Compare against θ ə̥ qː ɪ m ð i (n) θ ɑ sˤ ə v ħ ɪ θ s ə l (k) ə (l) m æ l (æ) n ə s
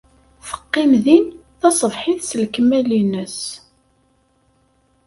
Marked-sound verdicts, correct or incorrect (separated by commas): correct, correct, incorrect, incorrect